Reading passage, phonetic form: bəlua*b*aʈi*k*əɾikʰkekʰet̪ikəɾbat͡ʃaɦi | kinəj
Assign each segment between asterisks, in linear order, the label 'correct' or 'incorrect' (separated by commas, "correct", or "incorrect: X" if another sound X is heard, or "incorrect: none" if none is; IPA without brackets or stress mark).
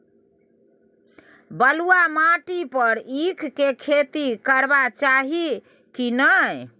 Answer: incorrect: m, incorrect: p